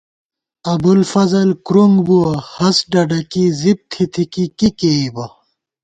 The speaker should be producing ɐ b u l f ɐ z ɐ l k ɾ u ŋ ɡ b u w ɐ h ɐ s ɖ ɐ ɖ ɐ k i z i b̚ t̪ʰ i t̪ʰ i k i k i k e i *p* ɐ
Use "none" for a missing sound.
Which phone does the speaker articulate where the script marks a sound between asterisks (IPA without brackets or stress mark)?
b